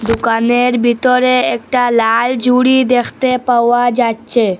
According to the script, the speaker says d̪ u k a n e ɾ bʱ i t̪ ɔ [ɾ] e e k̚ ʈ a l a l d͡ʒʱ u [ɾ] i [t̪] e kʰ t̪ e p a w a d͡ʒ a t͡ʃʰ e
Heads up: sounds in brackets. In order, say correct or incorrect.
correct, incorrect: ɽ, incorrect: d̪

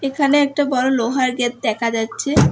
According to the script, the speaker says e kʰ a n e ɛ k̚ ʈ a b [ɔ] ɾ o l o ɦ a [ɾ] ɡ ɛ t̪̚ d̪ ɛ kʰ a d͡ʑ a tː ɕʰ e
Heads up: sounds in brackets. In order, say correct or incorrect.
correct, correct

